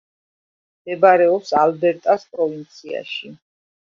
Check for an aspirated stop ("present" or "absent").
absent